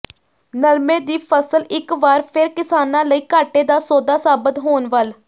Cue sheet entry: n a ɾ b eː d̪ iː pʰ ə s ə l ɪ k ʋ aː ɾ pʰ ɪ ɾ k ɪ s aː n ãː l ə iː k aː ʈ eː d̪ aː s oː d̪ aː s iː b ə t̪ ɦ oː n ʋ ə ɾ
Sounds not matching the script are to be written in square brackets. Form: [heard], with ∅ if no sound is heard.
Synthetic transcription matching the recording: n [ə] ɾ [m] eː d̪ iː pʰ ə s ə l ɪ k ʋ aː ɾ pʰ ɪ ɾ k ɪ s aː n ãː l ə iː k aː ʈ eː d̪ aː s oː d̪ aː s [aː] b ə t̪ ɦ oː n ʋ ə [l]